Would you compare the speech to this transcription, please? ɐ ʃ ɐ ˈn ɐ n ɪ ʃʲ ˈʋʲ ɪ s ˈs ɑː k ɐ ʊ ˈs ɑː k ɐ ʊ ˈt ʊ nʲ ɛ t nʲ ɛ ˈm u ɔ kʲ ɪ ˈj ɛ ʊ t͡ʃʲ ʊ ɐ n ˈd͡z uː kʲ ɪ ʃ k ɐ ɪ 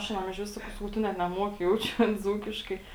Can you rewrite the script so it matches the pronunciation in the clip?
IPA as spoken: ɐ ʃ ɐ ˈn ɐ m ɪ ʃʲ ˈʋʲ ɪ s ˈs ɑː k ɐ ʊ ˈs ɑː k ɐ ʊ ˈt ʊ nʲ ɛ t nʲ ɛ ˈm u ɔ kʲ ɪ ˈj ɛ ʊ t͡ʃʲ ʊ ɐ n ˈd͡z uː kʲ ɪ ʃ k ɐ ɪ